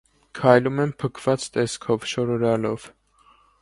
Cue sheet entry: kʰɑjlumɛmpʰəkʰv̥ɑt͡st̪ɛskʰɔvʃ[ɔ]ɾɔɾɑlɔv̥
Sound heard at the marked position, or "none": ɔ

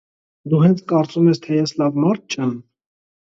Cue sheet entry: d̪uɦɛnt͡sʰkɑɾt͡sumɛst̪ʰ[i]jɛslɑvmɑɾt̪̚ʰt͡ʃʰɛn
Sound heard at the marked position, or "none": ɛ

